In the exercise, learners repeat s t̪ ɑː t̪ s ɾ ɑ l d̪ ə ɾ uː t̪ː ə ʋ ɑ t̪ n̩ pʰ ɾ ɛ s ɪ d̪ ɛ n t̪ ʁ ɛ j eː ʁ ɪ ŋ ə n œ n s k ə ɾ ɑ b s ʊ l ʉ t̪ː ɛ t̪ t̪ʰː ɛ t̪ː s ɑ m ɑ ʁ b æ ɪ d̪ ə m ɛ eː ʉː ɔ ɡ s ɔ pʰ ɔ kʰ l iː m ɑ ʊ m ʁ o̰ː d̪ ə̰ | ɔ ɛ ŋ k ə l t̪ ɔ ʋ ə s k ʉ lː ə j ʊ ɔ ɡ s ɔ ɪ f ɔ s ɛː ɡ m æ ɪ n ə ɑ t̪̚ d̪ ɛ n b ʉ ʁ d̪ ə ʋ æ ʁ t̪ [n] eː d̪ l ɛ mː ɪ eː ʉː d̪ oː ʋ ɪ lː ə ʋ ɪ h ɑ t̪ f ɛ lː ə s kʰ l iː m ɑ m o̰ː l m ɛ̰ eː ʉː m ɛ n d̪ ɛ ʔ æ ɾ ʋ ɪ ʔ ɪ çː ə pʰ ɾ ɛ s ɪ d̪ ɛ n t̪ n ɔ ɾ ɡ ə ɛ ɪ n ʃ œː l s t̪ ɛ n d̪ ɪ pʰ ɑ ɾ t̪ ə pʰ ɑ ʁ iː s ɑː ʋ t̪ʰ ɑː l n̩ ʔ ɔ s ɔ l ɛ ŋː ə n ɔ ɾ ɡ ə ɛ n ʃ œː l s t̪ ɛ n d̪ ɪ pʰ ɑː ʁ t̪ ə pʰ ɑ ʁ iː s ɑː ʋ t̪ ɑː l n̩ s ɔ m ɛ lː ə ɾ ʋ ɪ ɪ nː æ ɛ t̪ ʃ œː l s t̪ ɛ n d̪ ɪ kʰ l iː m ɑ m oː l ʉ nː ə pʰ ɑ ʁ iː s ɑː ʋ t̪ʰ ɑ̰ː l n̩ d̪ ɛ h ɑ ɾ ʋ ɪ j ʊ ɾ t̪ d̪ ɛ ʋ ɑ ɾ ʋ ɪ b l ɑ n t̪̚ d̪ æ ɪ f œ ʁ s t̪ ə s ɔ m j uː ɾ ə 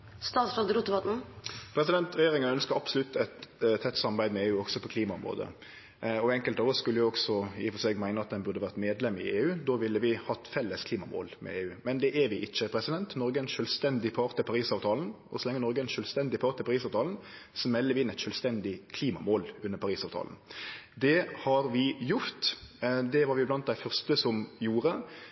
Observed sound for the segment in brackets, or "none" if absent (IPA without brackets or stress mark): m